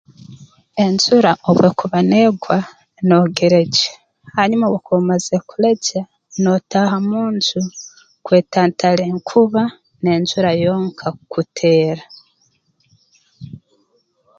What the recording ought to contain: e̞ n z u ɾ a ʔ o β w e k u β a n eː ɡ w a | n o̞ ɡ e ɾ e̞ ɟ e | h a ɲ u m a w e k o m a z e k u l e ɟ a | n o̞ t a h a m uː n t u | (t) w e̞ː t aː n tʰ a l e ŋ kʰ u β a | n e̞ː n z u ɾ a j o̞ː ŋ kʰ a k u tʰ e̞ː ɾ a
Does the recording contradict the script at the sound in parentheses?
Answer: yes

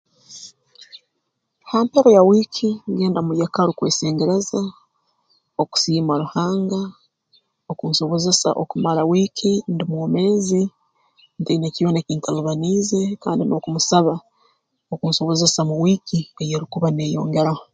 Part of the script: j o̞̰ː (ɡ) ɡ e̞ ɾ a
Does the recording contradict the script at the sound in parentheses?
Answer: yes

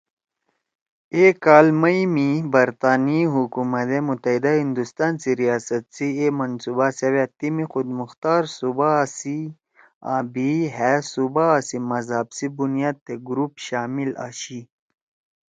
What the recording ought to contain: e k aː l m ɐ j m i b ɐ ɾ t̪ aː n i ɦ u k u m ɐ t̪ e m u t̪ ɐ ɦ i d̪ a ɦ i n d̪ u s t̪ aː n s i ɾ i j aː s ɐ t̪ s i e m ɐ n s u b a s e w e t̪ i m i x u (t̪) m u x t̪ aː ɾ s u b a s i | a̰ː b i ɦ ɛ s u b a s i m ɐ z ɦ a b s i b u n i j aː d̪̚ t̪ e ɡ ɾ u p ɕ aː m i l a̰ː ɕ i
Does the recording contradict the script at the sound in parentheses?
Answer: yes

